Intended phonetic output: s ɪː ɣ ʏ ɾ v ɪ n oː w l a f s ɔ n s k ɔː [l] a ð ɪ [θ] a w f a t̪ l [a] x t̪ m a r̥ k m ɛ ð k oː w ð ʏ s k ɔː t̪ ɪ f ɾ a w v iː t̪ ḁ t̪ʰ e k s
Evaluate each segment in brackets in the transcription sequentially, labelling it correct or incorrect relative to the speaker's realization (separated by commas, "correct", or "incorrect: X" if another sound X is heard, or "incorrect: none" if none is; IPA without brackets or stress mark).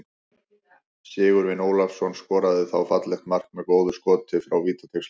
incorrect: ɾ, correct, incorrect: ɛ